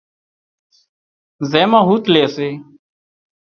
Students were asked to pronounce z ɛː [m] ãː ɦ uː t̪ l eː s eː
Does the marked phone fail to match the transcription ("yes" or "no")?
no